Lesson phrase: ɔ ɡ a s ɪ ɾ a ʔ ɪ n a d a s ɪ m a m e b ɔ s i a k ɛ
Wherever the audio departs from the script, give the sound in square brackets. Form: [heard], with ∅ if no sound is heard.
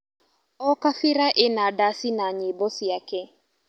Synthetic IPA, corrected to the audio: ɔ [k] a [f] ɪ ɾ a ʔ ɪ n a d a s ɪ [n] a [ɲ] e b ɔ s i a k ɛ